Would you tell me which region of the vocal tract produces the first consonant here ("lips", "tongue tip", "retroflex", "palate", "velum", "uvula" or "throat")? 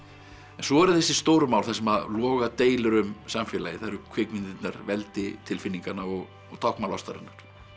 tongue tip